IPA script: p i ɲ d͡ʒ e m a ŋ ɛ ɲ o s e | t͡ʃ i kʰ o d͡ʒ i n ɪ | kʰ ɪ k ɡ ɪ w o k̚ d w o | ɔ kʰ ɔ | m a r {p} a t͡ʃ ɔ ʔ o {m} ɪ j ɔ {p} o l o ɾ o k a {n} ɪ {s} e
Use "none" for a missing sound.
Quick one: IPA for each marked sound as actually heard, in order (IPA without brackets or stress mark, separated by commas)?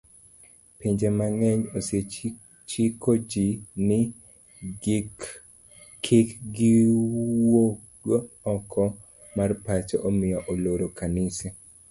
p, m, ʔ, n, s